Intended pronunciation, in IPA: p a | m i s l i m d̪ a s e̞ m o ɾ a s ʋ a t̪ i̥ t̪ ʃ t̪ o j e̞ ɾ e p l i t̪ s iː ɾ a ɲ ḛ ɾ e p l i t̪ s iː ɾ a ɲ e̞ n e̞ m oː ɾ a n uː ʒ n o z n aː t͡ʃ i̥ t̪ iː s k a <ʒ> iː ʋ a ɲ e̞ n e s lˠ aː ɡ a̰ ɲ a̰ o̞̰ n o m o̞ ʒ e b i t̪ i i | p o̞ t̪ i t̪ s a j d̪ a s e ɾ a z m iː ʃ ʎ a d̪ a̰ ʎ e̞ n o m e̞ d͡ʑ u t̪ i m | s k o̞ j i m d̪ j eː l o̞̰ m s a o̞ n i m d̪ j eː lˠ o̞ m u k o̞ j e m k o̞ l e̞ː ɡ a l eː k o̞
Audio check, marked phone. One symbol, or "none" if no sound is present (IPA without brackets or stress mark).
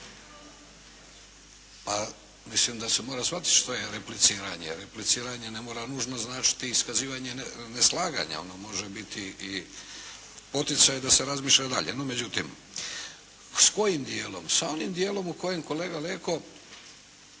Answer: z